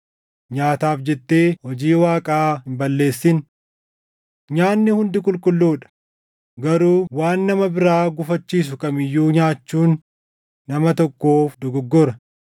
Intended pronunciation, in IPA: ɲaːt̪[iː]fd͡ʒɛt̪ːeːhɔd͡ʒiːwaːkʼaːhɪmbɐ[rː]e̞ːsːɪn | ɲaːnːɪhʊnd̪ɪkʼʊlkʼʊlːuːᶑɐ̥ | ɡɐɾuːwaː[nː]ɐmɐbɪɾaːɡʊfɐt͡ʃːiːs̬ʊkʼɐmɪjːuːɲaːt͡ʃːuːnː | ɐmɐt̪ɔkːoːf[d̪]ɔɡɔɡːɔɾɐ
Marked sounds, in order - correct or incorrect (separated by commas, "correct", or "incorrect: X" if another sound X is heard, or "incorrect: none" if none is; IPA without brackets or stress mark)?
incorrect: aː, incorrect: lː, correct, correct